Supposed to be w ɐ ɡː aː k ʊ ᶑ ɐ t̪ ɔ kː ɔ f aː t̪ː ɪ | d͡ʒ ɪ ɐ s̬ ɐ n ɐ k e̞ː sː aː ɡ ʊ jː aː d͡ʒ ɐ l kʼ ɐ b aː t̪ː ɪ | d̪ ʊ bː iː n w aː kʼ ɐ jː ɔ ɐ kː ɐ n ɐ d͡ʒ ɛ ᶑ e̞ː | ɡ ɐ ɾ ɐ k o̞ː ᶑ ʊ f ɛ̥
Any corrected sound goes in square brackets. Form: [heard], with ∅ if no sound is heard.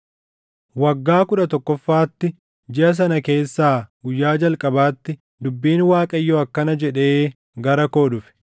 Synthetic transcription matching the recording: w ɐ ɡː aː k ʊ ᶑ ɐ t̪ ɔ kː ɔ [fː] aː t̪ː ɪ | d͡ʒ ɪ ɐ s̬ ɐ n ɐ k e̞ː sː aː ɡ ʊ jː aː d͡ʒ ɐ l kʼ ɐ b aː t̪ː ɪ | d̪ ʊ bː iː n w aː kʼ ɐ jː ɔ ɐ kː ɐ n ɐ d͡ʒ ɛ ᶑ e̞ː | ɡ ɐ ɾ ɐ k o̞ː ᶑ ʊ f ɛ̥